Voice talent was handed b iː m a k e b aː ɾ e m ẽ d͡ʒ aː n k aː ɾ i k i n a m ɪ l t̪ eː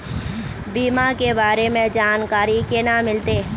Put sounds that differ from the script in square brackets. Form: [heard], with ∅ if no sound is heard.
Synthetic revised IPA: b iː m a k e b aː ɾ e m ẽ d͡ʒ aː n k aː ɾ i k [e] n a m ɪ l t̪ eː